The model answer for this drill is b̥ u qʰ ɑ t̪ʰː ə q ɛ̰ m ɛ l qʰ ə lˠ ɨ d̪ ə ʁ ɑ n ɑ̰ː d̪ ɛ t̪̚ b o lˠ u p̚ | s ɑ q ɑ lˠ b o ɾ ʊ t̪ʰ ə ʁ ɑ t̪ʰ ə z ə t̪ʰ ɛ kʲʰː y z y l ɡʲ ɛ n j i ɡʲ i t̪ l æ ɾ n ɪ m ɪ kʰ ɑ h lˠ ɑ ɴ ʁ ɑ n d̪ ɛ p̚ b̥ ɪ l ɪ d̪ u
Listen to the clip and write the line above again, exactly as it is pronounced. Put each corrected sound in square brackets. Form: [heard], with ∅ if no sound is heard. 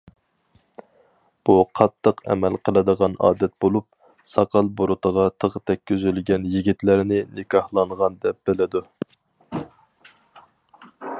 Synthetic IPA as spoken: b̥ u qʰ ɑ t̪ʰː ə q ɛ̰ m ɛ l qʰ ə lˠ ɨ d̪ ə ʁ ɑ n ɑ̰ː d̪ ɛ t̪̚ b o lˠ u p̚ | s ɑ q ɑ lˠ b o ɾ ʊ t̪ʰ ə ʁ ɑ t̪ʰ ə [ʁ] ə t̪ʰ ɛ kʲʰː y z y l ɡʲ ɛ n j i ɡʲ i t̪ l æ ɾ n ɪ [n] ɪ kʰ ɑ h lˠ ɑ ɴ ʁ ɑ n d̪ ɛ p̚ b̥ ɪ l ɪ d̪ u